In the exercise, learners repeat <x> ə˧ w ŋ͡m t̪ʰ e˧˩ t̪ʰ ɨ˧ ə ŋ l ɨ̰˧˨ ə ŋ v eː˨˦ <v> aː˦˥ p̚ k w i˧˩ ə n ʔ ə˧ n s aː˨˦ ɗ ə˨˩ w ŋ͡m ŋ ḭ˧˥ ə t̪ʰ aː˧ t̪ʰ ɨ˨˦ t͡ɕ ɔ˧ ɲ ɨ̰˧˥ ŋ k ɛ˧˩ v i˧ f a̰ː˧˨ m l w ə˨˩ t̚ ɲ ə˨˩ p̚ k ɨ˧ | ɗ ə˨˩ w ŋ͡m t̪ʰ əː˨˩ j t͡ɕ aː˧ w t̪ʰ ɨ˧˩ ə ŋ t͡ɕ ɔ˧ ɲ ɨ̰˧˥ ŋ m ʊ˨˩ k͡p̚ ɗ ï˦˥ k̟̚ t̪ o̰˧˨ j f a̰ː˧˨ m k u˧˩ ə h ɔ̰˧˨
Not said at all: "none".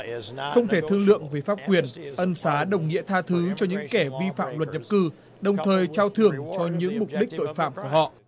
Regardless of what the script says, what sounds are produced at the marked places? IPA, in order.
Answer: x, f

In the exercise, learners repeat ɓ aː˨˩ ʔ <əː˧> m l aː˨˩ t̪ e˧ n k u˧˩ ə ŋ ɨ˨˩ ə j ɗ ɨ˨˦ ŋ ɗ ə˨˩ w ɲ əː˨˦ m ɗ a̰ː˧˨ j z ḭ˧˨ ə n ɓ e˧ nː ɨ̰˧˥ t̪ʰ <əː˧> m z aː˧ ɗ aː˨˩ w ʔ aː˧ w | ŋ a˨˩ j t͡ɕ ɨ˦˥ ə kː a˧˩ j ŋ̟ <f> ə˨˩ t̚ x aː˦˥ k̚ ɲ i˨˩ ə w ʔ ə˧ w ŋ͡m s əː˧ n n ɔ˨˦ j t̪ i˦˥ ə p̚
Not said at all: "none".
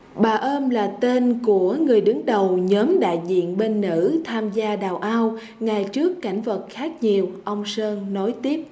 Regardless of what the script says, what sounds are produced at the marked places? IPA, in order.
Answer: əː˧, aː˧, v

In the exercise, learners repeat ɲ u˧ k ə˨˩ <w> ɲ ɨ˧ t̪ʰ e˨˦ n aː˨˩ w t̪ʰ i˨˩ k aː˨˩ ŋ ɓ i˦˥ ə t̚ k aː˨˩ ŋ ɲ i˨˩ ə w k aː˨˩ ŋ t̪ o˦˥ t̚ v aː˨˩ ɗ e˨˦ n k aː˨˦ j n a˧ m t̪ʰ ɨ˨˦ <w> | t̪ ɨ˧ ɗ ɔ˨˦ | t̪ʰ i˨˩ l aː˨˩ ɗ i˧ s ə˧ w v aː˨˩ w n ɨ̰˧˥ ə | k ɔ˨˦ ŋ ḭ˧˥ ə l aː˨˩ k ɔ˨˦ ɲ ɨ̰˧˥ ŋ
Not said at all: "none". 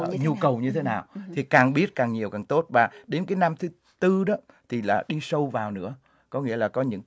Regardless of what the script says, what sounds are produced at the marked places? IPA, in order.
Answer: w, none

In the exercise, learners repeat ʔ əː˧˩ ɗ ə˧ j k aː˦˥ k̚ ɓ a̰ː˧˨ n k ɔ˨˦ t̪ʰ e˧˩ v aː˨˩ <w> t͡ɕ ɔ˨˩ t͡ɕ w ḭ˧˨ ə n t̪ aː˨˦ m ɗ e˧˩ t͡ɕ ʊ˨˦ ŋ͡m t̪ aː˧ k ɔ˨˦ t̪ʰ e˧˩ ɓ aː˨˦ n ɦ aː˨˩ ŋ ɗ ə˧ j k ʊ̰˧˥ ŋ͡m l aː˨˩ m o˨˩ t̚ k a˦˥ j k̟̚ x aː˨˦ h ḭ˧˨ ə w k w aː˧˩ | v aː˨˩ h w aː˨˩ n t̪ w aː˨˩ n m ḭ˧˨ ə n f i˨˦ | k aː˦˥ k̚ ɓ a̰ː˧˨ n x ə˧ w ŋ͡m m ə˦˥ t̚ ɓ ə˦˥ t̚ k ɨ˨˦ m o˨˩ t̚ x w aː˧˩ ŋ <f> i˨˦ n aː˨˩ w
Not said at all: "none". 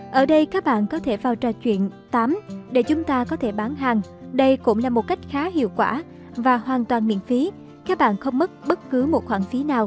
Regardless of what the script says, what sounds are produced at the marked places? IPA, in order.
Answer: w, f

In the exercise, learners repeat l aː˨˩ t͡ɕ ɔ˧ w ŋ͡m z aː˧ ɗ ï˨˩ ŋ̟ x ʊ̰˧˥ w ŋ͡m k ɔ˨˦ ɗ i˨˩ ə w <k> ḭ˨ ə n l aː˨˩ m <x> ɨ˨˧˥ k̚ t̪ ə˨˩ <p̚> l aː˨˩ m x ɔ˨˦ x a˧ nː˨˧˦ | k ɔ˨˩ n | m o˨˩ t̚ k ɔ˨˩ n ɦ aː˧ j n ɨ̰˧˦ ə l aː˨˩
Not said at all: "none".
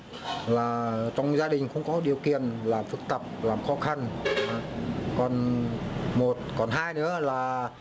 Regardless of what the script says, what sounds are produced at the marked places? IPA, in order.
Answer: k, f, p̚

